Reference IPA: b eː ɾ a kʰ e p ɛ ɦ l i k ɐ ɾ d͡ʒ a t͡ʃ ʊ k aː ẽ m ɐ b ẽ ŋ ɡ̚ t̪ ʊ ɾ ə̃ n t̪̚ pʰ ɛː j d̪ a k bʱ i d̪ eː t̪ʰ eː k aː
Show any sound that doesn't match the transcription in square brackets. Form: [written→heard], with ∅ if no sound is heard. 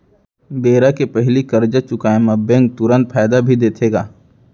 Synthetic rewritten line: b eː ɾ a [kʰ→k] e p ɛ ɦ l i k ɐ ɾ d͡ʒ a t͡ʃ ʊ k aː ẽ m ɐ b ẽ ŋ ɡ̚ t̪ ʊ ɾ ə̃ n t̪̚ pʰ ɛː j d̪ a [k→∅] bʱ i d̪ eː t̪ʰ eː [k→ɡ] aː